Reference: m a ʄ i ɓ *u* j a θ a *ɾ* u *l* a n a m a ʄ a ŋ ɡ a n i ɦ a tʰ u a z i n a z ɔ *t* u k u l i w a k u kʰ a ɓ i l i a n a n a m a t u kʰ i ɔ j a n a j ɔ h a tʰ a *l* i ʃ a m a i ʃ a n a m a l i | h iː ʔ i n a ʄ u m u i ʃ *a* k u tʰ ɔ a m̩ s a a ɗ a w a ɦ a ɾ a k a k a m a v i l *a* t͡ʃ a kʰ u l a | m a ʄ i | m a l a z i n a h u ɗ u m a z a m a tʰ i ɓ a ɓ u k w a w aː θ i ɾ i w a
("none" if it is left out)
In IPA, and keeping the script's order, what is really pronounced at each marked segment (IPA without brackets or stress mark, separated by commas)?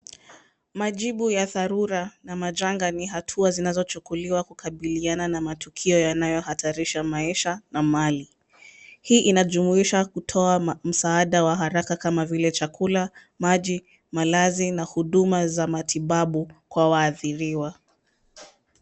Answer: u, ɾ, ɾ, t͡ʃ, ɾ, a, ɛ